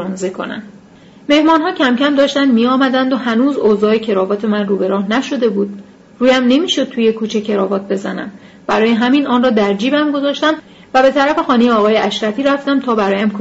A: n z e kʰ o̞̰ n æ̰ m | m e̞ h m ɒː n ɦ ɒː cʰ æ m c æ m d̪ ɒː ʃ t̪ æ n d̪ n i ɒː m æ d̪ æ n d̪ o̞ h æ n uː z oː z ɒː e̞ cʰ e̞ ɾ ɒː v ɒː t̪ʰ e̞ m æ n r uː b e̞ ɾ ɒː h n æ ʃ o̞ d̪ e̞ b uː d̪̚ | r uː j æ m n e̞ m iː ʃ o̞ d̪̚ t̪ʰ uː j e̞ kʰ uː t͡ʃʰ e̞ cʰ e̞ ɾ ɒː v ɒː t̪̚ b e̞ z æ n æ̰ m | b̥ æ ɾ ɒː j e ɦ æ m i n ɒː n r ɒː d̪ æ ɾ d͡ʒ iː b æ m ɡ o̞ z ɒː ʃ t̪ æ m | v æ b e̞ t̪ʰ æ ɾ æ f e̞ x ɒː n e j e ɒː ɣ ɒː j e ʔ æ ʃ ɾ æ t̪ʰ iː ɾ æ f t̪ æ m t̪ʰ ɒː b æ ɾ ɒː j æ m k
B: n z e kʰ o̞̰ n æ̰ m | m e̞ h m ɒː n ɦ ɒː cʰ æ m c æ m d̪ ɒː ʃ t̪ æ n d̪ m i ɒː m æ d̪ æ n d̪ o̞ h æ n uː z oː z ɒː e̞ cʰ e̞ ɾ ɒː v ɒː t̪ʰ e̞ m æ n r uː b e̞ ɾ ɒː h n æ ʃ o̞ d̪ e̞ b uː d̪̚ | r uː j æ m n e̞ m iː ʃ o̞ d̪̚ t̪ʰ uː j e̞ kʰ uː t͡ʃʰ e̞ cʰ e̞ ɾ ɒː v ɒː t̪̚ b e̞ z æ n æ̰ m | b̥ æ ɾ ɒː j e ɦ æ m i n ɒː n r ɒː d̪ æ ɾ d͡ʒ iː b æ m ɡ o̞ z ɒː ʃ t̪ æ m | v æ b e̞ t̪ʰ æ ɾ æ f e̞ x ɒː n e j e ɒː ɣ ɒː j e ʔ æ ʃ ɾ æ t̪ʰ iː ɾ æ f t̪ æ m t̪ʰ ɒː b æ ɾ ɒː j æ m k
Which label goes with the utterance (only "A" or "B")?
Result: B